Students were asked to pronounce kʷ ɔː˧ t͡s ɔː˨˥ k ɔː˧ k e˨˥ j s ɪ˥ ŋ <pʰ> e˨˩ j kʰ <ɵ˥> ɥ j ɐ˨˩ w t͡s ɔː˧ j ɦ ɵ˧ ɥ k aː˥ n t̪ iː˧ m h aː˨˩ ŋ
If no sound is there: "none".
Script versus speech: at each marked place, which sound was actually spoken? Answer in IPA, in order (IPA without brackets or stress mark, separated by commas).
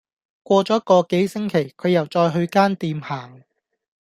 kʰ, ɵ˨˧